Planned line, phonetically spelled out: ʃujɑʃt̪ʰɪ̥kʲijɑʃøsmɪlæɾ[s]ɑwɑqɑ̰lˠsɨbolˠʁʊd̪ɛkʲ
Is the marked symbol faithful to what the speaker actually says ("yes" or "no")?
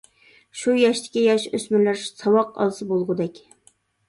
yes